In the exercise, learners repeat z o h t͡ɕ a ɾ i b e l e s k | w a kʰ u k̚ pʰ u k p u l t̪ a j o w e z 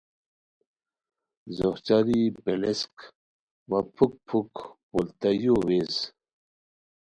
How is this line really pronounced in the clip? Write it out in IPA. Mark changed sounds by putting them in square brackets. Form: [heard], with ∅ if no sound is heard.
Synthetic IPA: z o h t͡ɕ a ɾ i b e l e s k | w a [pʰ] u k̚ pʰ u k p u l t̪ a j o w e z